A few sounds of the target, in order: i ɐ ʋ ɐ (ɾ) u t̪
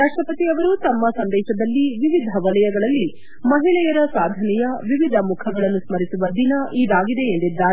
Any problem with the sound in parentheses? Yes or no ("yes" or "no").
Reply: no